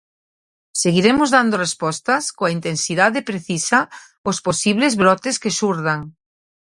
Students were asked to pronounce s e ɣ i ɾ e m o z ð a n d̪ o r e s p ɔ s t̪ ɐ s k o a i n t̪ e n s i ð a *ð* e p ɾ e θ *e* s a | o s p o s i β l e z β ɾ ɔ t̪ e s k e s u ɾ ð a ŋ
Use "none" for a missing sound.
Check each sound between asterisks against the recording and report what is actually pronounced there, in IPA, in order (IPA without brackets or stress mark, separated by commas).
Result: ð, i